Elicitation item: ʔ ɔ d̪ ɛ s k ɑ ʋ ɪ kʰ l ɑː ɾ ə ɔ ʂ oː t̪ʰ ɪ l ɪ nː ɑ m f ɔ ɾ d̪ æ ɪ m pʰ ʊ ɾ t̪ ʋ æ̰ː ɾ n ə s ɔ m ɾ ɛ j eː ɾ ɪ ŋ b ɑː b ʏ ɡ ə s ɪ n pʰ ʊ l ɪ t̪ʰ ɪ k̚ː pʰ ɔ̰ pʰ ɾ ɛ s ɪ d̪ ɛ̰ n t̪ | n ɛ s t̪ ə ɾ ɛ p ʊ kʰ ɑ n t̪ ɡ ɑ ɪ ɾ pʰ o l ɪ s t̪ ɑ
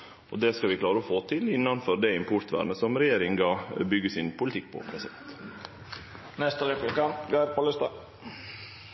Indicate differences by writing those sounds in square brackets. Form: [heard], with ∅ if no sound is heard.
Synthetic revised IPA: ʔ ɔ d̪ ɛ s k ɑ ʋ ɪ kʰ l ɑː ɾ ə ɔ [f] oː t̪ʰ ɪ l ɪ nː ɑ [n] f ɔ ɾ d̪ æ ɪ m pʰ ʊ ɾ t̪ ʋ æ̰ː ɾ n ə s ɔ m ɾ ɛ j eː ɾ ɪ ŋ [ɡ] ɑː b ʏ ɡ ə s ɪ n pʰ ʊ l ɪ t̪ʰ ɪ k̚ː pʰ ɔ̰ pʰ ɾ ɛ s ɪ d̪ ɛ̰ n t̪ | n ɛ s t̪ ə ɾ ɛ p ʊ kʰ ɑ n t̪ ɡ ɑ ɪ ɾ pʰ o l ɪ s t̪ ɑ

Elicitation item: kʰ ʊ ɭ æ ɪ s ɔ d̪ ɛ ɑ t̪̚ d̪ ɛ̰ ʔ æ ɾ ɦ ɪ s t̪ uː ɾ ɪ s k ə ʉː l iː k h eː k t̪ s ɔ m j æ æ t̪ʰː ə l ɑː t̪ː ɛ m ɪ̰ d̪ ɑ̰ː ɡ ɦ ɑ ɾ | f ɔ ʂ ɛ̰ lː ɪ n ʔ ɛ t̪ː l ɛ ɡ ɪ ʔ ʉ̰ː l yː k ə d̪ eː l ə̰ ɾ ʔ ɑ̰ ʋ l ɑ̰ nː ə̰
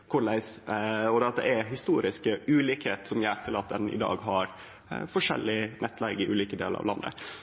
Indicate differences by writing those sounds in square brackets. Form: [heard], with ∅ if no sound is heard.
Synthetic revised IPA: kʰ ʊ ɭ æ ɪ s ɔ d̪ ɛ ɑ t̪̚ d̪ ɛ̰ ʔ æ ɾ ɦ ɪ s t̪ uː ɾ ɪ s k ə ʉː l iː k h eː [∅] t̪ s ɔ m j æ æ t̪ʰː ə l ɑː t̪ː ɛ [n] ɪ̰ d̪ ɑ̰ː ɡ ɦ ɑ ɾ | f ɔ ʂ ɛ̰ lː ɪ n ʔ ɛ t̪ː l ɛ ɡ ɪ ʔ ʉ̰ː l [iː] k ə d̪ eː l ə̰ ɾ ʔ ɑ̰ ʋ l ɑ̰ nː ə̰

